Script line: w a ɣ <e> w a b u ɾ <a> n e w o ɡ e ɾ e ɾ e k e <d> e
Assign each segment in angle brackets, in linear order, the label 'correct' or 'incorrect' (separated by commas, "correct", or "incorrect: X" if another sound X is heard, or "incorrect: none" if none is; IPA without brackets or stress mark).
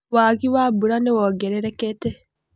incorrect: i, correct, incorrect: t